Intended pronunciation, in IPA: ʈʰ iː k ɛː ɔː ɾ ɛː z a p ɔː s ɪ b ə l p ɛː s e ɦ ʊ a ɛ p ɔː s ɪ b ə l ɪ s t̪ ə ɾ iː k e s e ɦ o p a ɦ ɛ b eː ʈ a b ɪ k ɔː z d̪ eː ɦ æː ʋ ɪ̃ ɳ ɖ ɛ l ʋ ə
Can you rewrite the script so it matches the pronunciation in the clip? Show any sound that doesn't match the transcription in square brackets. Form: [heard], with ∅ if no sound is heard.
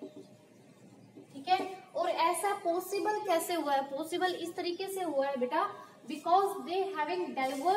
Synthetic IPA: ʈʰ iː k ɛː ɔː ɾ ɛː [s] a p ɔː s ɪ b ə l [k] ɛː s e ɦ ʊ a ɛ p ɔː s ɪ b ə l ɪ s t̪ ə ɾ iː k e s e ɦ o [∅] a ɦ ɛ b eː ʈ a b ɪ k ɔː z d̪ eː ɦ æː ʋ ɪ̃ [ŋ] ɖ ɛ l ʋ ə